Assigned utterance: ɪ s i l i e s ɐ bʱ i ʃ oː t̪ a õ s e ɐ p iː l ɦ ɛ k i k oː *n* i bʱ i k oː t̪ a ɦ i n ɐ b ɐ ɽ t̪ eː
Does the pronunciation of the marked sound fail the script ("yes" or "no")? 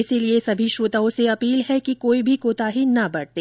yes